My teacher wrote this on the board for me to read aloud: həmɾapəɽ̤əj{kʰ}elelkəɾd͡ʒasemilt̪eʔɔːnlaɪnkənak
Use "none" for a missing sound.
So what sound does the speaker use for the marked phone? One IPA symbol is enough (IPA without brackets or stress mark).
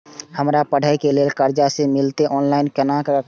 k